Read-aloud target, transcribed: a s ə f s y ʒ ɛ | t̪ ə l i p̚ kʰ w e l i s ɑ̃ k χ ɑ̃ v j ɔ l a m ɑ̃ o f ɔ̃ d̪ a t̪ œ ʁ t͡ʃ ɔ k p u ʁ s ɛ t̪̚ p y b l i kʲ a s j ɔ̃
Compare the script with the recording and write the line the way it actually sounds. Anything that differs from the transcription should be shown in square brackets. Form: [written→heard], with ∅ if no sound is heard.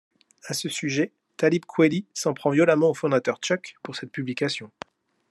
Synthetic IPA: a s ə [f→∅] s y ʒ ɛ | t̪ [ə→a] l i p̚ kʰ w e l i s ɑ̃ [k→p] χ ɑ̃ v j ɔ l a m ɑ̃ o f ɔ̃ d̪ a t̪ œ ʁ t͡ʃ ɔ k p u ʁ s ɛ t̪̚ p y b l i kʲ a s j ɔ̃